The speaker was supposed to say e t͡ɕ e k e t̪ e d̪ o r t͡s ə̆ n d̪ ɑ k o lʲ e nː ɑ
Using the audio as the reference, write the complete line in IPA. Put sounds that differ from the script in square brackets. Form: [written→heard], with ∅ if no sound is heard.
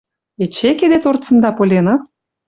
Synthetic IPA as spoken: e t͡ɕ e k e [t̪→d̪] e [d̪→t̪] o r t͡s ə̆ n d̪ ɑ [k→p] o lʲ e [nː→n] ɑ